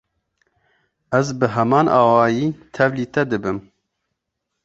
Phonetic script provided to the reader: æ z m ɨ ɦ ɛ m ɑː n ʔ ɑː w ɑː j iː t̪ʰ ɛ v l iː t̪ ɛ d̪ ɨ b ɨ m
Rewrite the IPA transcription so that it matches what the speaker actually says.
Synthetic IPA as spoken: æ z b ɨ ɦ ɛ m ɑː n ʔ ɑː w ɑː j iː t̪ʰ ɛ v l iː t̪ ɛ d̪ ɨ b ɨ m